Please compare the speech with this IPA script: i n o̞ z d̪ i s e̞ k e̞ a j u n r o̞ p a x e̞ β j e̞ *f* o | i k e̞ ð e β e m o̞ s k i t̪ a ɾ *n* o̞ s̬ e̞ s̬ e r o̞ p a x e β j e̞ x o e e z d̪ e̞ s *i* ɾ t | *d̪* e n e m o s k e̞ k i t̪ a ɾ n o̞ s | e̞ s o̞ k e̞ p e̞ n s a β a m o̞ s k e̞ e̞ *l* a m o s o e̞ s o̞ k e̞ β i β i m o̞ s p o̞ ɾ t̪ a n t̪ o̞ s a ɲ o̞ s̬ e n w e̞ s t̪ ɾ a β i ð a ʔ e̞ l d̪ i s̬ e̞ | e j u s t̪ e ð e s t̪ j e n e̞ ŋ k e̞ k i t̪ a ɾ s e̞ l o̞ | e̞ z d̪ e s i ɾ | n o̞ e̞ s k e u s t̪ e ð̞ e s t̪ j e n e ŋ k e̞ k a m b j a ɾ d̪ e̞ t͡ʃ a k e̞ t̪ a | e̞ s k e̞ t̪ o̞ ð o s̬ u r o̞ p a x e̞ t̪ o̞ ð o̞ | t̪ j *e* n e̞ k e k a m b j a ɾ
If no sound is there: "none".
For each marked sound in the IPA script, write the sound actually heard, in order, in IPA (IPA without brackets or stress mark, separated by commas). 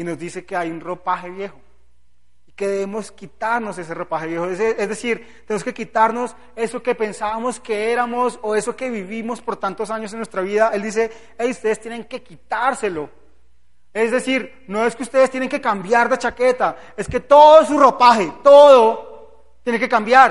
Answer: x, n, i, t̪, ɾ, e